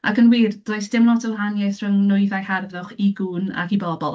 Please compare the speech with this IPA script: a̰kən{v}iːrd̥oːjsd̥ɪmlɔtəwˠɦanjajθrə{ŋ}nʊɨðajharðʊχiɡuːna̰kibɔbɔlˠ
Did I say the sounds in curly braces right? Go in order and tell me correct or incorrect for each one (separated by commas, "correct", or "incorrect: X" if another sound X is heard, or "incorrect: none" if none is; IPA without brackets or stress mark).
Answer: incorrect: w, correct